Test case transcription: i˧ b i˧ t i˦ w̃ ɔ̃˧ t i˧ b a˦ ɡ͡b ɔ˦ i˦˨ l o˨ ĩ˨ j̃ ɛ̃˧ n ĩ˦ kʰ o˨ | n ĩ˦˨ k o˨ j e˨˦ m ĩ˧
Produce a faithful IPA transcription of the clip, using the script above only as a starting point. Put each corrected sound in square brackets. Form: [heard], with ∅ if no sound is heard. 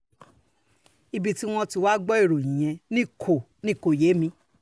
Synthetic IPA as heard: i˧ b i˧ t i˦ w̃ ɔ̃˧ t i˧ [w] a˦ ɡ͡b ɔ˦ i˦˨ [ɾ] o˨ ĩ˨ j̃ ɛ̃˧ n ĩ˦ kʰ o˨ | n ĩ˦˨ k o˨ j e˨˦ m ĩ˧